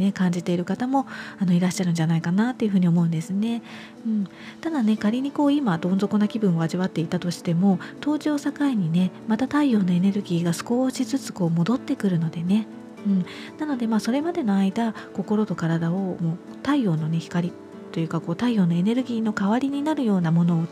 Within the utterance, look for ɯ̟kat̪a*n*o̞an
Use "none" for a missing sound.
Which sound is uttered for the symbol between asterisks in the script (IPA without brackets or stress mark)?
m